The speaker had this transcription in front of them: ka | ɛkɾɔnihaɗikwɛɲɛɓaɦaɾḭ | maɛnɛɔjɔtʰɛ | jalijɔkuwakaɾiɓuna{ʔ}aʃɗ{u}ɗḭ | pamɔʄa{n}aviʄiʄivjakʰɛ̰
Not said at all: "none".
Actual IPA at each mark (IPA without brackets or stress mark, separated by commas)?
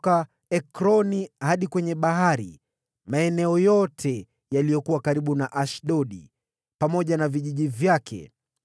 ʔ, ɔ, n